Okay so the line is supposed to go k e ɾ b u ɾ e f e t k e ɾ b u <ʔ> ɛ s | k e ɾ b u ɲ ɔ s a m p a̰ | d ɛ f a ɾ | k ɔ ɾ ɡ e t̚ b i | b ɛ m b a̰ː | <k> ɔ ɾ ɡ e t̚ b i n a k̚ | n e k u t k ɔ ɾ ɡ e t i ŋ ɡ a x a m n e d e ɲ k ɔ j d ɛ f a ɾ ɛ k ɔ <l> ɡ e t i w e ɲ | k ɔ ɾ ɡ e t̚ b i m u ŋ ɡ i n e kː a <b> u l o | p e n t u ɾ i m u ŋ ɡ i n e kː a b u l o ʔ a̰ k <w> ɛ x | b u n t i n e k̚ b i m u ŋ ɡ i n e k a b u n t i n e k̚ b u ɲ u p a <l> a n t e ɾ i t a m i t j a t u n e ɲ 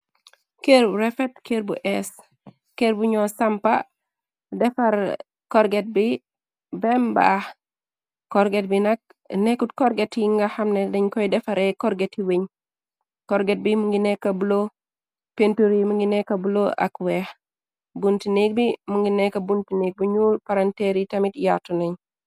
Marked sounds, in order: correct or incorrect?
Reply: correct, correct, incorrect, correct, correct, incorrect

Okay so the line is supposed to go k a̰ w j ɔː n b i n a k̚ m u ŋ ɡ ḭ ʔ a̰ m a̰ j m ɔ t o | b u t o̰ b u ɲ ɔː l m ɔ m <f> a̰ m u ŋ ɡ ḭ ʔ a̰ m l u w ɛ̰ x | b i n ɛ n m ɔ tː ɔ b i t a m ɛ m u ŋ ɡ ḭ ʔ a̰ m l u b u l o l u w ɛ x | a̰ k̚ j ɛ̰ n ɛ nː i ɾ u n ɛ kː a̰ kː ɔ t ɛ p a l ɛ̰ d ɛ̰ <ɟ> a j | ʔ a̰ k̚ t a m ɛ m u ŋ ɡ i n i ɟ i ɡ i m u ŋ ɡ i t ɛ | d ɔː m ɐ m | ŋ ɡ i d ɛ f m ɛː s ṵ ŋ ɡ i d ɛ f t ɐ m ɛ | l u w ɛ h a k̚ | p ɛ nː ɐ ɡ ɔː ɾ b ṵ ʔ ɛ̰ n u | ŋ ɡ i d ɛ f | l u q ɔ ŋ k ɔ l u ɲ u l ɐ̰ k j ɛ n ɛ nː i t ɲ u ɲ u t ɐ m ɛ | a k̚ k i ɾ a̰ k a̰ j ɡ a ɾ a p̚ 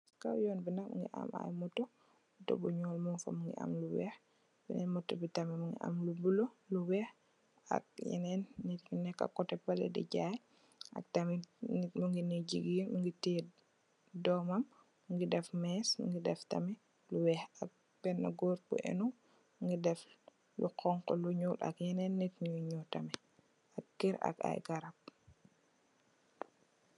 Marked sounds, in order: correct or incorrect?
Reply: correct, correct

